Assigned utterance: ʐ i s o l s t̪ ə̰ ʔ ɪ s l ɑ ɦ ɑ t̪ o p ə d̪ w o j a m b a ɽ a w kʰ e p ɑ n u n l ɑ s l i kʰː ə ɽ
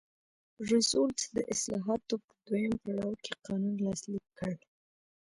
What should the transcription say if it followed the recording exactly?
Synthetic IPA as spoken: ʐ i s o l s d̪ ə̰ ʔ ɪ s l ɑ ɦ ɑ t̪ o p ə d̪ w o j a m p a ɽ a w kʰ e q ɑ n u n l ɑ s l i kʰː ə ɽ